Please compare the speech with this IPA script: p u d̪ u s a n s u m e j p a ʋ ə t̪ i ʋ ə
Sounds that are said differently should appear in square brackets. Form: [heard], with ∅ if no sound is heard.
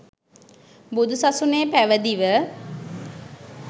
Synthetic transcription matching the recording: [b] u d̪ u s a [∅] s u [n] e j p [æ] ʋ ə [d̪] i ʋ ə